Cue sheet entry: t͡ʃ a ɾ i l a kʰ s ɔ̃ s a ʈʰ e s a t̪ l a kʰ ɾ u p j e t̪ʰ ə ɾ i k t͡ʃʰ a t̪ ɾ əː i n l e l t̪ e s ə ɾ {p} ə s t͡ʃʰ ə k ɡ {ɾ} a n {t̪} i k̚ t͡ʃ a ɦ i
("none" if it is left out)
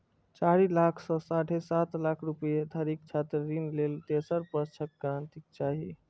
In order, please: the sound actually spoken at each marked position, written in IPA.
p, ɾ, t̪

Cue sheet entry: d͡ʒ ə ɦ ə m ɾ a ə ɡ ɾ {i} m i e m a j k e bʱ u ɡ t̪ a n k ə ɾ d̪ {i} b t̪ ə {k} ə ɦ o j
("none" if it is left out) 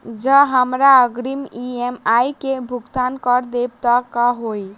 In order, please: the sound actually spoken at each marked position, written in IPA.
i, e, k

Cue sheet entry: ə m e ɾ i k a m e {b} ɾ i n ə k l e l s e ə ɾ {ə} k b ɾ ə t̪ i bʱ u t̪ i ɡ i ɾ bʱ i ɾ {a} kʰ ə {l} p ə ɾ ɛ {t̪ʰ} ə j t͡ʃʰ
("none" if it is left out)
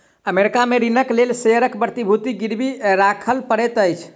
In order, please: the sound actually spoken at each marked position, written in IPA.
none, ə, a, l, t̪

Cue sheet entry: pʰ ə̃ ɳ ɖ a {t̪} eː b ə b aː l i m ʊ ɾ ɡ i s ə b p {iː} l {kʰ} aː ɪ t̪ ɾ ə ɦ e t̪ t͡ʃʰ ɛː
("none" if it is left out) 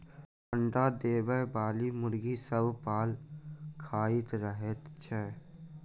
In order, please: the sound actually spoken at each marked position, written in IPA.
d̪, aː, kʰ

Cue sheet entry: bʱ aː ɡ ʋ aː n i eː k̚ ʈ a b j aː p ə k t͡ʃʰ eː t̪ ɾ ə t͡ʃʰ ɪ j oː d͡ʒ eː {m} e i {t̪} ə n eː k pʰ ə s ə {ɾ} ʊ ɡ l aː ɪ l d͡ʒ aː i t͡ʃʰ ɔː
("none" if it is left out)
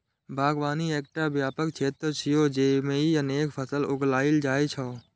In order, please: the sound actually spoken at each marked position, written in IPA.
m, none, l

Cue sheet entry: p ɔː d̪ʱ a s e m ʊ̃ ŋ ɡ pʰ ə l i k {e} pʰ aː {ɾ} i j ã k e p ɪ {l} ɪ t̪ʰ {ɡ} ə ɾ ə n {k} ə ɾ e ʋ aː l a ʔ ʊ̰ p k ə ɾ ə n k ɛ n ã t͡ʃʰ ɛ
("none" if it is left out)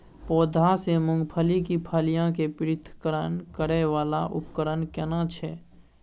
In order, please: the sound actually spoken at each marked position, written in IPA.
i, l, ɾ, k, k

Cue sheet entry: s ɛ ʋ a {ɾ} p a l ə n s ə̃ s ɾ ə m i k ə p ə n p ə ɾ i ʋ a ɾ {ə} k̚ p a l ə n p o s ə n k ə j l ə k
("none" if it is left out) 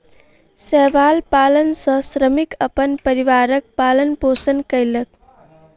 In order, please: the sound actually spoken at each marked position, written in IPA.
l, ə

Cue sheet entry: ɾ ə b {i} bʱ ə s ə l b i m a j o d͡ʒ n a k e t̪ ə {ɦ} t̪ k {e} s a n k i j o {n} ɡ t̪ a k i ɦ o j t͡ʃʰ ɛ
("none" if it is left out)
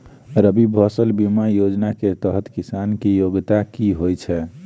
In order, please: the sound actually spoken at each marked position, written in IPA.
i, ɦ, i, none

